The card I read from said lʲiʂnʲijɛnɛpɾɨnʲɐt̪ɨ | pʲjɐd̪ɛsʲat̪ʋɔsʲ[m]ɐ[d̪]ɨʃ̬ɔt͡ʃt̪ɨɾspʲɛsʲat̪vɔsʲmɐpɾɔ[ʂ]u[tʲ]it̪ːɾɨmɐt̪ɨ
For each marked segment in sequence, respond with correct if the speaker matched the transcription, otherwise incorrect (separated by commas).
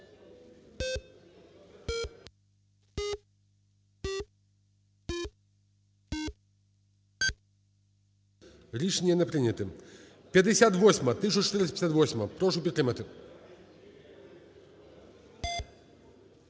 correct, incorrect, correct, incorrect